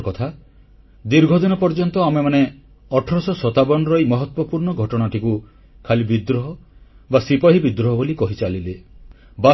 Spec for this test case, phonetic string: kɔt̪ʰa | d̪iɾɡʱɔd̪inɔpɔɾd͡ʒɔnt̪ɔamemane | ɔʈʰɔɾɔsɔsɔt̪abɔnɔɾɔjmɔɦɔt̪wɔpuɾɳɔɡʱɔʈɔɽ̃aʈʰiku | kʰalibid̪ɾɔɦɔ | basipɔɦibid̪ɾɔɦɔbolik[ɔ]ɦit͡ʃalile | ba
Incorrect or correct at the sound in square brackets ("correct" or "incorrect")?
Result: correct